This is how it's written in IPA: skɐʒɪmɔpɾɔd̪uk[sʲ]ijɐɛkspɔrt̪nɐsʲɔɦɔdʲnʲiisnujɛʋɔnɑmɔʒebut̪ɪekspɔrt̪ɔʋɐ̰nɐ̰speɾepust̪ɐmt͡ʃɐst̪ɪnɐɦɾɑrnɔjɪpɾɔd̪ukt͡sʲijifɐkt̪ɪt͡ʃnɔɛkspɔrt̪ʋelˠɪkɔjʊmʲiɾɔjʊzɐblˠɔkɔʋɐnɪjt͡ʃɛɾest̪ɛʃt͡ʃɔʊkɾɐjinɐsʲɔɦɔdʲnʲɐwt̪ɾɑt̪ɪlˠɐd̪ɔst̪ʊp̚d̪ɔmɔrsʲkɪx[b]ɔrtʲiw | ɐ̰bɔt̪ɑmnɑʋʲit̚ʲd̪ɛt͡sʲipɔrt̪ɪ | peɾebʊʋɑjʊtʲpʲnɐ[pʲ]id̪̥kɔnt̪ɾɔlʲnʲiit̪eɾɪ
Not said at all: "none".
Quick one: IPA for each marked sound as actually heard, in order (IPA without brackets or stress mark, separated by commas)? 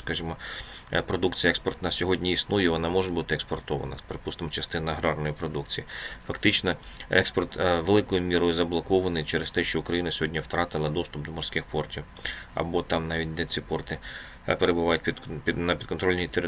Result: t͡sʲ, p, pʲ